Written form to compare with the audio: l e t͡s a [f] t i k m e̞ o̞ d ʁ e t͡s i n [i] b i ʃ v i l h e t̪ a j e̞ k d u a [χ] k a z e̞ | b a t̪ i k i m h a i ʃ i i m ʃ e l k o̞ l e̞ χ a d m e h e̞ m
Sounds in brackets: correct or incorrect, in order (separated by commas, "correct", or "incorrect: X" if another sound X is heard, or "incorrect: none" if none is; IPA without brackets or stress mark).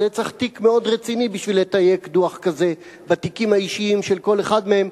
incorrect: χ, correct, correct